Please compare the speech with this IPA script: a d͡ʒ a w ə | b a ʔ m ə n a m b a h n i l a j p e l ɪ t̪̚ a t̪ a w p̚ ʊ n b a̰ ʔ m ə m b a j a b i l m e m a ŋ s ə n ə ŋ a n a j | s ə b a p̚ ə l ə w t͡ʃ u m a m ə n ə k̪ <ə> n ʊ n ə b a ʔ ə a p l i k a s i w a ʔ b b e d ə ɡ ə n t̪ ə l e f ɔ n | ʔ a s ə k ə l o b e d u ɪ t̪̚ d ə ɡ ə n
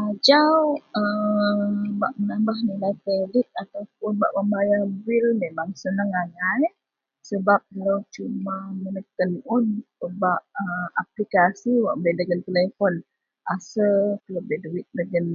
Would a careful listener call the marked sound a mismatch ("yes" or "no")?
no